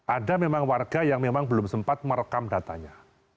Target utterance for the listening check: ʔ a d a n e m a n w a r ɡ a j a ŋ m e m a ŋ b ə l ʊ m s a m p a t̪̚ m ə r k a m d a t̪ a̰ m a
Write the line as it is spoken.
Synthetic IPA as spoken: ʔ a d a m e m a ŋ w a r ɡ a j a ŋ m e m a ŋ b ə l ʊ m s ə m p a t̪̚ m ə r k a m d a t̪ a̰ ɲ a